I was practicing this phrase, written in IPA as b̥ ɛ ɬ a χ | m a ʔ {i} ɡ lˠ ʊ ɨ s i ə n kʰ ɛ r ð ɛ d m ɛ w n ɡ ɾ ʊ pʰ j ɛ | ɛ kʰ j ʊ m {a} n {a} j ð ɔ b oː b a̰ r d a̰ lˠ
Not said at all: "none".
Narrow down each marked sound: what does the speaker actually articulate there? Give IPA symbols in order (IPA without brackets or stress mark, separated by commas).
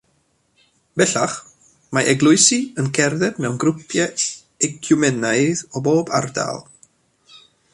ɛ, ɛ, a